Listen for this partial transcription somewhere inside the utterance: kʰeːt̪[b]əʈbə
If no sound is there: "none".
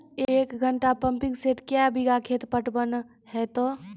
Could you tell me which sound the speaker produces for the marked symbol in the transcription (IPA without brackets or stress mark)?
p